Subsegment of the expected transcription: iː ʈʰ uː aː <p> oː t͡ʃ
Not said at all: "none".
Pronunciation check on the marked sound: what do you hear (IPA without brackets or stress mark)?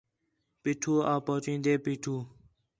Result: p